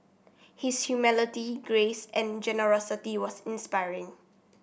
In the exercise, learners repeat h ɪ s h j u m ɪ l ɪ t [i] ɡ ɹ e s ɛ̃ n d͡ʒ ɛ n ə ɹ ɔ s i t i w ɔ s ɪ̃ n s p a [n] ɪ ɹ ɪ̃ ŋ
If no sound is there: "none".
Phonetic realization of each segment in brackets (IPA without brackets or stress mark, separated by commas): i, none